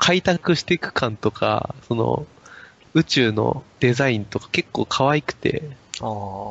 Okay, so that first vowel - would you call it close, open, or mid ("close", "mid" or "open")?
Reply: open